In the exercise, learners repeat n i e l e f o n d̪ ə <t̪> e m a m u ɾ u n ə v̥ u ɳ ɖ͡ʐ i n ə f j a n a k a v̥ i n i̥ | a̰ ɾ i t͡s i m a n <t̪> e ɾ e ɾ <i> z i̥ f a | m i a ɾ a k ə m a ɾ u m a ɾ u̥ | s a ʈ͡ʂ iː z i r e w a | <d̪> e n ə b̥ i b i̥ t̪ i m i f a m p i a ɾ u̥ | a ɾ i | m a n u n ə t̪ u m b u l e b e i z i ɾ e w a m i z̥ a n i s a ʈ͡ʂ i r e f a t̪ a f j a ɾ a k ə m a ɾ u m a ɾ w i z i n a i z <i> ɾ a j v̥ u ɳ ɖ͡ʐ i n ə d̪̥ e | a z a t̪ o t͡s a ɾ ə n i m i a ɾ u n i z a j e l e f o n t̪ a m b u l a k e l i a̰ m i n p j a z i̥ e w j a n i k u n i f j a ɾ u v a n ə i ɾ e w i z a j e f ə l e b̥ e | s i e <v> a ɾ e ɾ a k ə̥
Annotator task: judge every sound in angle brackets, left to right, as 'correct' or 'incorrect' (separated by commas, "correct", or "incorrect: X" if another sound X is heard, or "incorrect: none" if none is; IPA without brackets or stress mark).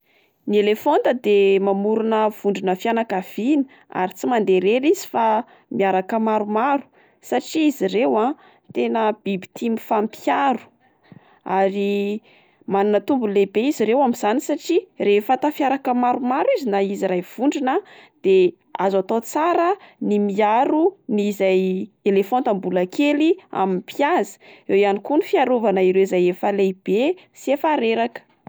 incorrect: d̪, incorrect: d̪, correct, incorrect: t̪, correct, incorrect: f